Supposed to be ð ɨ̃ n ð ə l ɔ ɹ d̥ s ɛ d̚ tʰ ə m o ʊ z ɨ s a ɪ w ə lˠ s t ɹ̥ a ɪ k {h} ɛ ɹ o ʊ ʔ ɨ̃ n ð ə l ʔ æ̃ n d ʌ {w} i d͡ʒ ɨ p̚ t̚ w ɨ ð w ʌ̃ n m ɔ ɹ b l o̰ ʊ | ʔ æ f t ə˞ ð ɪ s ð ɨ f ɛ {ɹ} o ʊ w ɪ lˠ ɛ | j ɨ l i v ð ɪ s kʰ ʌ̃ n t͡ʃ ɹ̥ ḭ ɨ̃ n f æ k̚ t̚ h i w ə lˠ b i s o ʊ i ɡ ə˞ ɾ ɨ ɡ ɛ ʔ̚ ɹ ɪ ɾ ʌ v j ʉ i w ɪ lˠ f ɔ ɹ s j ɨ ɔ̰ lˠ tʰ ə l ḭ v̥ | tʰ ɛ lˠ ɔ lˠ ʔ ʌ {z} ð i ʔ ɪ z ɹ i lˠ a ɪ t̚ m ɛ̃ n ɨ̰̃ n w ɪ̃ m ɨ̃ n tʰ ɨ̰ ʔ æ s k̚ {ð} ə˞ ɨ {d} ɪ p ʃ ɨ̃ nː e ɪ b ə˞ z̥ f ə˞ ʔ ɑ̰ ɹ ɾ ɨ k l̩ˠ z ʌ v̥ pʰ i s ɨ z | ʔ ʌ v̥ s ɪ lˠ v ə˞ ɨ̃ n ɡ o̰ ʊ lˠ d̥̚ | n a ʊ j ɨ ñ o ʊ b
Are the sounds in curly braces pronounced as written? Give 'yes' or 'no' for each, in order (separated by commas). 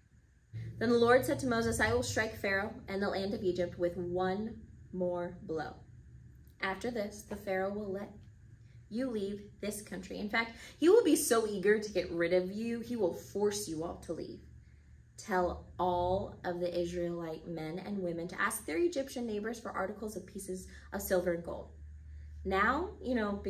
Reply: no, no, yes, no, yes, no